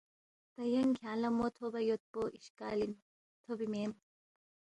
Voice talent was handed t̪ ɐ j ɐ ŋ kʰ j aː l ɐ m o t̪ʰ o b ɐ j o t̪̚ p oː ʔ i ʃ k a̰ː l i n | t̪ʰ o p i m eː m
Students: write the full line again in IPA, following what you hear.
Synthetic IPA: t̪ ɐ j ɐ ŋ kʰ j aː l ɐ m o t̪ʰ o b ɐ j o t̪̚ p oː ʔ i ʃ k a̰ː l i n | t̪ʰ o b i m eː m